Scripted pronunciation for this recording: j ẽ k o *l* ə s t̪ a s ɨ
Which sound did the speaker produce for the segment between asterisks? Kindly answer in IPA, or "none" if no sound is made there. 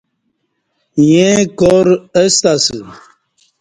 ɾ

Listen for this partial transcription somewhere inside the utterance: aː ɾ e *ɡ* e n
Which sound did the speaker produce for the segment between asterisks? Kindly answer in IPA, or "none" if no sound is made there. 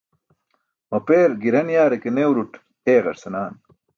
k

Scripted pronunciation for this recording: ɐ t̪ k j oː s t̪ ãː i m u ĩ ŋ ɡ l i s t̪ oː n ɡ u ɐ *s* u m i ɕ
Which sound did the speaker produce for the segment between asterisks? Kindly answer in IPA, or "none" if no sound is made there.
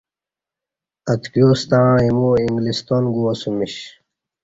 s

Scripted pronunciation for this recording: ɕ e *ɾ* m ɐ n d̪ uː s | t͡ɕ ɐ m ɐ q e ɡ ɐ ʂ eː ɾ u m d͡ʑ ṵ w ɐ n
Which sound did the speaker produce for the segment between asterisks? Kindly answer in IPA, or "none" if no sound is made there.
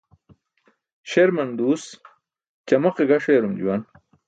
ɾ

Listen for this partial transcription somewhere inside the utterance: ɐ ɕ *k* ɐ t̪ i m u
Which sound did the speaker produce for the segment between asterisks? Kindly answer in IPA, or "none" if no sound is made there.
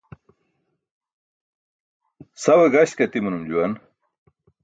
k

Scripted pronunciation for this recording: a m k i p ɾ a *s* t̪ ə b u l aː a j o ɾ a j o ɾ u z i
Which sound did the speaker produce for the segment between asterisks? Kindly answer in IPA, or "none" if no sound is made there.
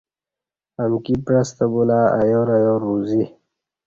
s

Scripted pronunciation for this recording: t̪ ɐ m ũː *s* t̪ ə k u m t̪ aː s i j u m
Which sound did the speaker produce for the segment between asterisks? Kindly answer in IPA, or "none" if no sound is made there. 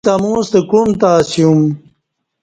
s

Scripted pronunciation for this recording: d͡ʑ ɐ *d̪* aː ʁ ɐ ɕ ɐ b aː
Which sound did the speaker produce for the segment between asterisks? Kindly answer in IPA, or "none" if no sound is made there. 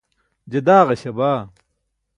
d̪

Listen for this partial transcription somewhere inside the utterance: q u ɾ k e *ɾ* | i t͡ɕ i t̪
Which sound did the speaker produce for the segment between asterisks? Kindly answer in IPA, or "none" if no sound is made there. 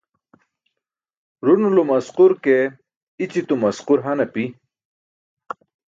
none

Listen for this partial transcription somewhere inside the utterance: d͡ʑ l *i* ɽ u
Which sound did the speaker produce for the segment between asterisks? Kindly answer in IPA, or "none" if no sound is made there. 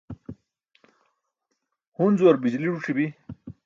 i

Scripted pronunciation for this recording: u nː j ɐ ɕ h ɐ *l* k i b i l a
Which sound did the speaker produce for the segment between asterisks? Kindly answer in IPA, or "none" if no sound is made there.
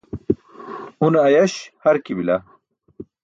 ɾ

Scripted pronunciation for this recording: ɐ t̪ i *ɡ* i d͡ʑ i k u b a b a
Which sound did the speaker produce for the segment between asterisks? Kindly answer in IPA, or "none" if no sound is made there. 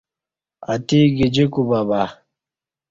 ɡ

